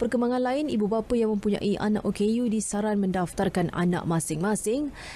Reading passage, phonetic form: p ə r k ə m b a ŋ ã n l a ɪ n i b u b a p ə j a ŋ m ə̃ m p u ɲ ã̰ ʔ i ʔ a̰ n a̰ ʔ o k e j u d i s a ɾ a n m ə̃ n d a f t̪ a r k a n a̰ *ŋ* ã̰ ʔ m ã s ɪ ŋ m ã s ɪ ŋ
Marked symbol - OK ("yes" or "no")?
no